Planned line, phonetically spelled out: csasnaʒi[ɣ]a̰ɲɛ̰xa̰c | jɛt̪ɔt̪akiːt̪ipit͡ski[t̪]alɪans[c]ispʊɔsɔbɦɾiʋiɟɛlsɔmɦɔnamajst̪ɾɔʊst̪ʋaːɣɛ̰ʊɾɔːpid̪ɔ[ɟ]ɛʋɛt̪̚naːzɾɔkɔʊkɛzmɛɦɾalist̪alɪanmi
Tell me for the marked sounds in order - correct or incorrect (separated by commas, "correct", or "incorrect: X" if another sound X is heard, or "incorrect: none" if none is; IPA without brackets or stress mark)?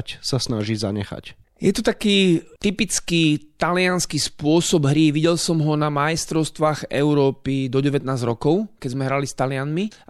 incorrect: z, correct, incorrect: k, correct